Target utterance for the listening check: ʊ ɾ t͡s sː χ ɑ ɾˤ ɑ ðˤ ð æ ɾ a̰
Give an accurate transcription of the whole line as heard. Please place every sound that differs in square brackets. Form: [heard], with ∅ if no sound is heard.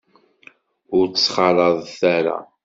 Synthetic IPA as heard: ʊ ɾ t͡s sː χ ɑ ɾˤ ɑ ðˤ [θ] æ ɾ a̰